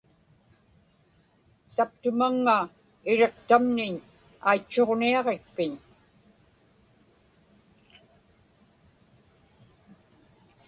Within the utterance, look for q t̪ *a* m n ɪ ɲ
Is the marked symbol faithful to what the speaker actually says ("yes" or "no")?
yes